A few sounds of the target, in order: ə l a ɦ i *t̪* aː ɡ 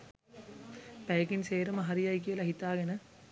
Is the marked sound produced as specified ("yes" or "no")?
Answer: yes